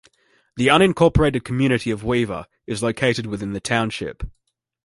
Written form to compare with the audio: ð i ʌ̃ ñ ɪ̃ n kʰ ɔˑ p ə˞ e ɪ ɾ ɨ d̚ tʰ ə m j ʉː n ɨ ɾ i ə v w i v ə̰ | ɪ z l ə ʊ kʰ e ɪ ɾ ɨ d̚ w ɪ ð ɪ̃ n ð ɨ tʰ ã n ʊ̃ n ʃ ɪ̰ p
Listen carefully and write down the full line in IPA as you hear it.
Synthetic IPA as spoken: ð i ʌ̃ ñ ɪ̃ n kʰ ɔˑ p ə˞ e ɪ ɾ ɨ d̚ kʰ ə m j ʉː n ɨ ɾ i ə v w i v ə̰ | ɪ z l ə ʊ kʰ e ɪ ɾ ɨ d̚ w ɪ ð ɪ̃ n ð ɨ tʰ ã ʊ̃ n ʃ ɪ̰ p